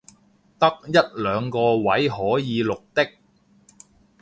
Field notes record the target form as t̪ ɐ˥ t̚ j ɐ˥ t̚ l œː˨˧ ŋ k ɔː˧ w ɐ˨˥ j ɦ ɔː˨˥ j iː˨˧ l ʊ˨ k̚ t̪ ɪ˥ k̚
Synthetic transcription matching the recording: t̪ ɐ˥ k̚ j ɐ˥ t̚ l œː˨˧ ŋ k ɔː˧ w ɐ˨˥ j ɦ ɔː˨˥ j iː˨˧ l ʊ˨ k̚ t̪ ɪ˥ k̚